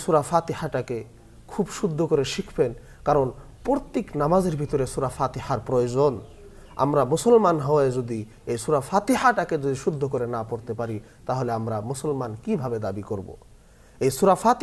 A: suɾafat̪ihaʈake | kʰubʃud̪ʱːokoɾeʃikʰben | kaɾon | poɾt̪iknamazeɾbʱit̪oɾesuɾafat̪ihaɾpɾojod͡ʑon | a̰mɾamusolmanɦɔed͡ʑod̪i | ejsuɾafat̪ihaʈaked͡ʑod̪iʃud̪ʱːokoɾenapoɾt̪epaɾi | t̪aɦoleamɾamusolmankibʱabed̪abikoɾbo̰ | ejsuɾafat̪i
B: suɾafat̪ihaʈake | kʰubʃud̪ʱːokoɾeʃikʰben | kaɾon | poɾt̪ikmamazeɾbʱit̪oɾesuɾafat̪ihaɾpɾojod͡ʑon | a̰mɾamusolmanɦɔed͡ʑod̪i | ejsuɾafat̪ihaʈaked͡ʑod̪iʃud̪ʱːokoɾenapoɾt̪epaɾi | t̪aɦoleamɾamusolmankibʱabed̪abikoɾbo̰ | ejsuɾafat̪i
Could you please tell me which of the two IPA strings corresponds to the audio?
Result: A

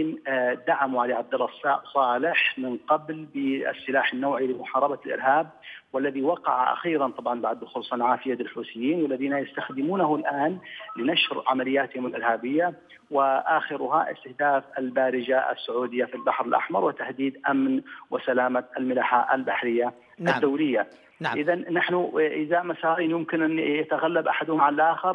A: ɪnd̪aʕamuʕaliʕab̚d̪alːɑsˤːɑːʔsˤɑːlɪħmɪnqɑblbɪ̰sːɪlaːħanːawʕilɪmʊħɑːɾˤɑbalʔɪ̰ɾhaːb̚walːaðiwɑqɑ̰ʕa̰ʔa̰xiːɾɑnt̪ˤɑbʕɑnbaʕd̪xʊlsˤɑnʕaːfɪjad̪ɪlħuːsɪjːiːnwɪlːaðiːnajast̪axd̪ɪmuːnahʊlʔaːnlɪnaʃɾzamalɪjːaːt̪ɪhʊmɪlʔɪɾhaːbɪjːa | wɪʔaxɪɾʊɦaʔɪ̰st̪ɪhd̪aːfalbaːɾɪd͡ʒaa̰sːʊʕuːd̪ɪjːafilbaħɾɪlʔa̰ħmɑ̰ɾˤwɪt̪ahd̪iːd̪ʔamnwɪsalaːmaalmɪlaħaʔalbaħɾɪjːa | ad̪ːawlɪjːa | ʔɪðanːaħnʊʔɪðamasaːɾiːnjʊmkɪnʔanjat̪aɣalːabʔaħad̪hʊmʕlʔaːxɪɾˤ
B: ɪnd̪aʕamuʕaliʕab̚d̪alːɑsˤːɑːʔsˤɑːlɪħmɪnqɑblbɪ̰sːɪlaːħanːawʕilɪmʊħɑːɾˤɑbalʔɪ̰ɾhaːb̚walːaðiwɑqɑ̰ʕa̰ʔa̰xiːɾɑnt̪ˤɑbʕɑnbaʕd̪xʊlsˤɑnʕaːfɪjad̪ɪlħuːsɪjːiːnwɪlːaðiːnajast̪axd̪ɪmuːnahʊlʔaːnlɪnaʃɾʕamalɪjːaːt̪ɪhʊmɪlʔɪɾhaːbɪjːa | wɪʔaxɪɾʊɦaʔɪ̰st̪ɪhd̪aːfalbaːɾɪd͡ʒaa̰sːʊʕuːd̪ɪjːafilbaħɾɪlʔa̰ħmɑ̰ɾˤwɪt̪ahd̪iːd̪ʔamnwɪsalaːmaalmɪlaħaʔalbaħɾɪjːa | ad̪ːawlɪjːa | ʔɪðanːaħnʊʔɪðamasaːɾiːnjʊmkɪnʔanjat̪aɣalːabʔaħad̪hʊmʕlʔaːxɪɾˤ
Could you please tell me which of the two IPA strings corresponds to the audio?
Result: B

